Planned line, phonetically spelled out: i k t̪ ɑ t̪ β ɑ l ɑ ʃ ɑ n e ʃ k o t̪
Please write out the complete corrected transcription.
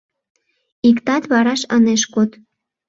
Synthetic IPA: i k t̪ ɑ t̪ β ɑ ɾ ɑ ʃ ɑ n e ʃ k o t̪